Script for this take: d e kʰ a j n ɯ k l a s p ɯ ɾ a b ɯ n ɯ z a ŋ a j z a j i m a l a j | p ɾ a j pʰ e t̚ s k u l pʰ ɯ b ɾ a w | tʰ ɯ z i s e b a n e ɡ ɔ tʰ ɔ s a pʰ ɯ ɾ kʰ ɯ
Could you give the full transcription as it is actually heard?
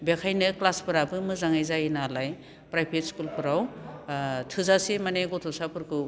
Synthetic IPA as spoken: b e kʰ a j n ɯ k l a s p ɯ ɾ a b ɯ m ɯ z a ŋ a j z a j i n a l a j | p ɾ a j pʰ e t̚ s k u l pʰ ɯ ɾ a w | tʰ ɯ z a s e m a n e ɡ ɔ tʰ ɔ s a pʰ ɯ ɾ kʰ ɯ